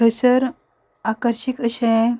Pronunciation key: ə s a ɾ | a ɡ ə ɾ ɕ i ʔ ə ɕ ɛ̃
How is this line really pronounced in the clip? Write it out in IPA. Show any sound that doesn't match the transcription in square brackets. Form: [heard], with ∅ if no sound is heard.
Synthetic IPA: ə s [ə] ɾ | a [k] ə ɾ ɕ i [k] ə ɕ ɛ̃

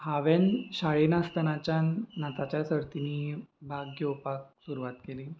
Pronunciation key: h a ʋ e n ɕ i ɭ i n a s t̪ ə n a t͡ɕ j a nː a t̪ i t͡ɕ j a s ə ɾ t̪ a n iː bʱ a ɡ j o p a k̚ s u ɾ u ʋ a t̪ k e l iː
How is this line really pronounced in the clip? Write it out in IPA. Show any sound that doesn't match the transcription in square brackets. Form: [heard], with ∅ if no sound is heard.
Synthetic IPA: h a ʋ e n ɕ [a] ɭ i n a s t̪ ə n a t͡ɕ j a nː a t̪ [a] t͡ɕ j a s ə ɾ t̪ [i] n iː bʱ a ɡ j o p a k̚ s u ɾ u ʋ a t̪ k e l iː

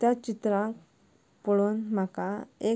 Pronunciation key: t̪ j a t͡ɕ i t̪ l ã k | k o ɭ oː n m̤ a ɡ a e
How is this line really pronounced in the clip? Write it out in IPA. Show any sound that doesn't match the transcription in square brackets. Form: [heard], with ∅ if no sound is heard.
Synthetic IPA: t̪ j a t͡ɕ i t̪ [ɾ] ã k | [p] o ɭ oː n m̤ a [k] a e

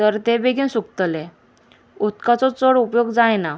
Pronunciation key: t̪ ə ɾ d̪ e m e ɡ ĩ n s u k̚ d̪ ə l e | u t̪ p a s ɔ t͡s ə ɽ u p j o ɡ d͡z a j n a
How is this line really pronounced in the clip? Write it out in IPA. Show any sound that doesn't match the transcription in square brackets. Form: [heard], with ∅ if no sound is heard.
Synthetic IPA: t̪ ə ɾ [t̪] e [b] e ɡ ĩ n s u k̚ [t̪] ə l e | u t̪ [k] a [t͡s] ɔ t͡s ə ɽ u p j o ɡ d͡z a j n a

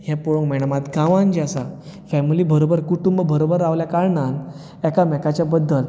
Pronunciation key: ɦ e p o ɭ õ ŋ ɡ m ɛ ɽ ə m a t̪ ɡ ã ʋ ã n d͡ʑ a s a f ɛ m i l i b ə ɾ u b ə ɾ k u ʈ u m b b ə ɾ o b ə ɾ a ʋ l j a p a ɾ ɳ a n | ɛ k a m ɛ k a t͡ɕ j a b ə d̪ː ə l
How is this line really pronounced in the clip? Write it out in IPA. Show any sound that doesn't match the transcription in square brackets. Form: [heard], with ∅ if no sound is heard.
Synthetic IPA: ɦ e p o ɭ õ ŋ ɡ m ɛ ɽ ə m a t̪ ɡ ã ʋ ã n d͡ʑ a s a f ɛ m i l i b ə ɾ [o] b ə ɾ k u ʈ u m b b ə ɾ o b ə ɾ a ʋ l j a [k] a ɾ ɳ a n | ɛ k a m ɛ k a t͡ɕ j a b ə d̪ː ə l

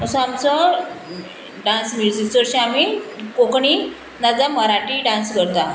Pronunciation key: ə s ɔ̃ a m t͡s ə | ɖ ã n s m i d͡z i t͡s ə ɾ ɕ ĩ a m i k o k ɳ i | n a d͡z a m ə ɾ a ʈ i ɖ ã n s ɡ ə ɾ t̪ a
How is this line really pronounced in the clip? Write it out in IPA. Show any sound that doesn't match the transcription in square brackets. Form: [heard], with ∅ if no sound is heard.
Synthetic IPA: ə s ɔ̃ a m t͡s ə | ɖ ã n s m i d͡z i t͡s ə ɾ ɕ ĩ a m i k o k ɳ i | n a d͡z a m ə ɾ a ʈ i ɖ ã n s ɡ ə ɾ t̪ a

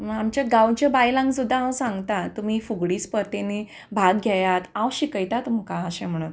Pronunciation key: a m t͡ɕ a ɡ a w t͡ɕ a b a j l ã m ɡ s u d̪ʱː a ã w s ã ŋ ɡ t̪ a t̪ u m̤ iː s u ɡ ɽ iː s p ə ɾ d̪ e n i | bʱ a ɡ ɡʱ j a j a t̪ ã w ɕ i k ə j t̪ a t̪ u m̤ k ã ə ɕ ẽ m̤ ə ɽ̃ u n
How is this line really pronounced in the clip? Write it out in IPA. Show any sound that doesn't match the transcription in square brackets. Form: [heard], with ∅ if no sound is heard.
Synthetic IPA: a m t͡ɕ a ɡ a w t͡ɕ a b a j l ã [ŋ] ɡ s u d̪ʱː a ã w s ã ŋ ɡ t̪ a t̪ u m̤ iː [f] u ɡ ɽ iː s p ə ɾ [t̪] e n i | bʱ a ɡ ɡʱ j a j a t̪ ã w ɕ i k ə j t̪ a t̪ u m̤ k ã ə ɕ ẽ m̤ ə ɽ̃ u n

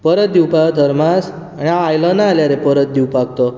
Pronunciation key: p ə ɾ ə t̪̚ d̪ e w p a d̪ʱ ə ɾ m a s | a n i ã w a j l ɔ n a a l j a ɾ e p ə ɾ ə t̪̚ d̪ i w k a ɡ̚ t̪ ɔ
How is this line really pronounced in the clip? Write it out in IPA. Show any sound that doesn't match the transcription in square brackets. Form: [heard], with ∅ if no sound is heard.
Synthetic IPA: p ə ɾ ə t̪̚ d̪ [i] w p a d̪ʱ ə ɾ m a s | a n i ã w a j l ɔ n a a l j a ɾ e p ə ɾ ə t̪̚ d̪ i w [p] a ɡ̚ t̪ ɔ

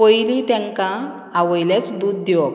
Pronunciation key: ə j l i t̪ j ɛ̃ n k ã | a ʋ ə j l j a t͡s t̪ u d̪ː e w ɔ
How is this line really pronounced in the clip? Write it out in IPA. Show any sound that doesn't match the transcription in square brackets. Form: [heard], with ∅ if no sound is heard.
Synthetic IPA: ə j l i t̪ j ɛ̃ [ŋ] k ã | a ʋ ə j l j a t͡s [d̪] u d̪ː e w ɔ

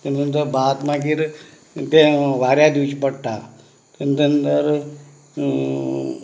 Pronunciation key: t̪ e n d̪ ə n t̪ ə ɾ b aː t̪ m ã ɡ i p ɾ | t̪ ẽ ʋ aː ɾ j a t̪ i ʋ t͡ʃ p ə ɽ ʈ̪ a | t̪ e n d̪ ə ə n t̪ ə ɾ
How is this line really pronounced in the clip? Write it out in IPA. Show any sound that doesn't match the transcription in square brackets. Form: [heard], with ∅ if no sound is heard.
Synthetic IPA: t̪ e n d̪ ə n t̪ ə ɾ b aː t̪ m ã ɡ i [∅] ɾ | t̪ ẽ ʋ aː ɾ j a [d̪] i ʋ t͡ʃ p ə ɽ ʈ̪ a | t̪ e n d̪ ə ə n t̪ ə ɾ

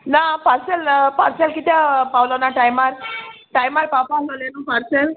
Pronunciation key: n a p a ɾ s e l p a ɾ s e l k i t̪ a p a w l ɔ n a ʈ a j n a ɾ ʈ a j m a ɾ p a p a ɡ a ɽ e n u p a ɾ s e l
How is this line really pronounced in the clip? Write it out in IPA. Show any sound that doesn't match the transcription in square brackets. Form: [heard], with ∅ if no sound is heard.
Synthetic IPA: n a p a ɾ s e l p a ɾ s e l k i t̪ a p a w l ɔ n a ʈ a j [m] a ɾ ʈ a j m a ɾ p a p a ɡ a [l] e n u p a ɾ s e l

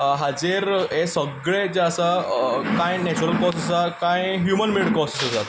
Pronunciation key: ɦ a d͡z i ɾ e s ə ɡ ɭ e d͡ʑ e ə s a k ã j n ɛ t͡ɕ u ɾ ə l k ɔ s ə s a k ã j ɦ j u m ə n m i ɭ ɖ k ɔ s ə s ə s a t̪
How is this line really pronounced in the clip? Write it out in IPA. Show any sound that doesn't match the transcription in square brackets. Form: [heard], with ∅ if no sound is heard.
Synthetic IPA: ɦ a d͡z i ɾ e s ə ɡ ɭ e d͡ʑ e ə s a k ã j n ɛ t͡ɕ u ɾ ə l k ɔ s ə s a k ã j ɦ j u m ə n m i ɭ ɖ k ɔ s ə s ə s a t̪

